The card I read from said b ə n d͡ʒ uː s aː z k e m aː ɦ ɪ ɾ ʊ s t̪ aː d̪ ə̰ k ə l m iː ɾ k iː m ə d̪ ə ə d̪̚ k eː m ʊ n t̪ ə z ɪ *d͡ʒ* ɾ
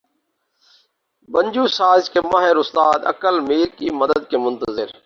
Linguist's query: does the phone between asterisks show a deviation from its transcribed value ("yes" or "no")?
yes